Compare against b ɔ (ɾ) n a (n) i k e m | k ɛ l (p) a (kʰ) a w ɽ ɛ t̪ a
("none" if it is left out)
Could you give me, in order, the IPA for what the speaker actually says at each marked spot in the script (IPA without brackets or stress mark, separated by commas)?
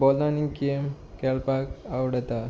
l, n, p, k